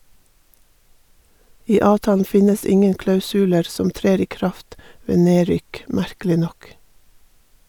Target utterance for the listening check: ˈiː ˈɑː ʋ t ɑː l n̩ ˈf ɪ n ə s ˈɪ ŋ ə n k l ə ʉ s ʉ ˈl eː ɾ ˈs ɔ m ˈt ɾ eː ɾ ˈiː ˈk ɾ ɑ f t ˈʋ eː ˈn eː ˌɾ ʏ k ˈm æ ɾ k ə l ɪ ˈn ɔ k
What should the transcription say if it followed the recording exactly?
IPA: ˈiː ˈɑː ʋ t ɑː l n̩ ˈf ɪ n ə s ˈɪ ŋ ə n k l ɑ ʉ s ʉ ˈl eː ɾ ˈs ɔ m ˈt ɾ eː ɾ ˈiː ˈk ɾ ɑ f t ˈʋ eː ˈn eː ˌɾ ʏ k ˈm æ ɾ k ə l ɪ ˈn ɔ k

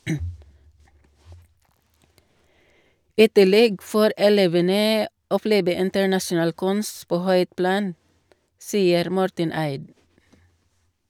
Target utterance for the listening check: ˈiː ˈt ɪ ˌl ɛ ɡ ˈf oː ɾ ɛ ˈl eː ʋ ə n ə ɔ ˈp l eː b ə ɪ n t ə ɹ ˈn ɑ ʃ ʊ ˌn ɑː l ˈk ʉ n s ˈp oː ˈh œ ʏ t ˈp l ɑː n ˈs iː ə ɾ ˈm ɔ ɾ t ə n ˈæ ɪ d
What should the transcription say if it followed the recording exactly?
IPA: ˈiː ˈt ɪ ˌl ɛ ɡ ˈf oː ɾ ɛ ˈl eː ʋ ə n ə ɔ ˈp l eː b ə ɪ n t ə ɹ ˈn ɑ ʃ ʊ ˌn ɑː l ˈk ʉ n s ˈp oː ˈh œ ʏ t ˈp l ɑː n ˈs iː ə ɾ ˈm ɔ ɾ t ə n ˈæ ɪ d

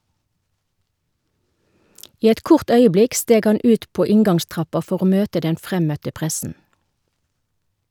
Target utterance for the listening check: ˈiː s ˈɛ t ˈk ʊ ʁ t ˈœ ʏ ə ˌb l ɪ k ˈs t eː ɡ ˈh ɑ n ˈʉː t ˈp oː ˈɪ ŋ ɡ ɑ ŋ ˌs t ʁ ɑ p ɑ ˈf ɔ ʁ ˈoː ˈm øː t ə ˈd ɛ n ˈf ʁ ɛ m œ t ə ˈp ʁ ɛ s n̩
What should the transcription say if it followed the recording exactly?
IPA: ˈiː ˈɛ t ˈk ʊ ʁ t ˈœ ʏ ə ˌb l ɪ k ˈs t eː ɡ ˈh ɑ n ˈʉː t ˈp oː ˈɪ ŋ ɡ ɑ ŋ ˌs t ʁ ɑ p ɑ ˈf ɔ ʁ ˈoː ˈm øː t ə ˈd ɛ n ˈf ʁ ɛ m œ t ə ˈp ʁ ɛ s n̩

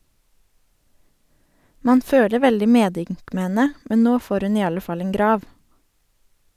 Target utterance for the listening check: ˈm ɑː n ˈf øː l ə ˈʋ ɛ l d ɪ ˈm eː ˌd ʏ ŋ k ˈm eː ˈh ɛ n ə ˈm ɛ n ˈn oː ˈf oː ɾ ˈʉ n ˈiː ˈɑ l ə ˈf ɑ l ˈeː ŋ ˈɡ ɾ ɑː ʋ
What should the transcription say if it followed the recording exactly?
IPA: ˈm ɑː n ˈf øː l ə ˈʋ ɛ l d ɪ ˈm eː ˌd ʏ ŋ k ˈm eː ˈh ɛ n ə ˈm ɛ n ˈn oː ˈf oː ɾ ˈʉ n ˈiː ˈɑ l ə ˈf ɑ l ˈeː ŋ ˈɡ ɾ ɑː ʋ

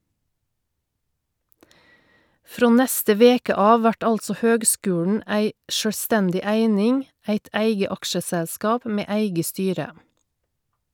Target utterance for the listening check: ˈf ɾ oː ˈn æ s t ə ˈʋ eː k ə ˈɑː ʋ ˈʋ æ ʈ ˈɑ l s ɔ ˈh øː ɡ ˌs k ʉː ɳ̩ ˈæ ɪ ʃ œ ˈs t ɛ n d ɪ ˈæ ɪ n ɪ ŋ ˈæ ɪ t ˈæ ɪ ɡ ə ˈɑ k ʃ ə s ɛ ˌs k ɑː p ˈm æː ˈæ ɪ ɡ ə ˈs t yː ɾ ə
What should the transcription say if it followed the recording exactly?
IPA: ˈf ɾ oː ˈn ɛ s t ə ˈʋ eː k ə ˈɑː ʋ ˈʋ æ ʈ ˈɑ l s ɔ ˈh øː ɡ ˌs k ʉː ɳ̩ ˈæ ɪ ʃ œ ˈs t ɛ n d ɪ ˈæ ɪ n ɪ ŋ ˈæ ɪ t ˈæ ɪ ɡ ə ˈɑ k ʃ ə s ɛ ˌs k ɑː p ˈm eː ˈæ ɪ ɡ ə ˈs t yː ɾ ə

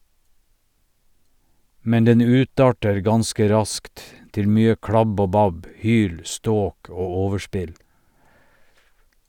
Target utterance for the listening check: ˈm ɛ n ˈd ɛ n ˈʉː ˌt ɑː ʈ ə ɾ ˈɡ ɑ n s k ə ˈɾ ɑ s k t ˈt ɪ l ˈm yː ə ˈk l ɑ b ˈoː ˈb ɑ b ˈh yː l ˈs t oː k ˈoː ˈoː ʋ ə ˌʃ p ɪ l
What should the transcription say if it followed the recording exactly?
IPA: ˈm ɛ n ˈd ɛ n ˈʉː ˌt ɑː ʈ ə ɾ ˈɡ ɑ n s k ə ˈɾ ɑ s k t ˈt ɪ l ˈm yː ə ˈk ɽ ɑ b ˈoː ˈb ɑ b ˈh yː l ˈs t oː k ˈoː ˈoː ʋ ə ˌʃ p ɪ l

